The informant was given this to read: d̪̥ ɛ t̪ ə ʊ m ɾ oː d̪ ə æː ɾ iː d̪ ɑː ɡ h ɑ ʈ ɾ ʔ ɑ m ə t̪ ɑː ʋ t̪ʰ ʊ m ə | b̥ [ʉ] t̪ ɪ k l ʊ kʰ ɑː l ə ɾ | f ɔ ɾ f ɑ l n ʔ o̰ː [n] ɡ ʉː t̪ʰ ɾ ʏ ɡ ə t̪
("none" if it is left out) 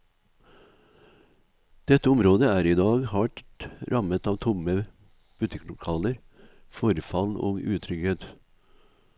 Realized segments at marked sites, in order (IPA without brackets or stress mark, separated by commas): ʉ, none